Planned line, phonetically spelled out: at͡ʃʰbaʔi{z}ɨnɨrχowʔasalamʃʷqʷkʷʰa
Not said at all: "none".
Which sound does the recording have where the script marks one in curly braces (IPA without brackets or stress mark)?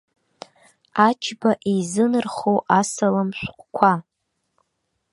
z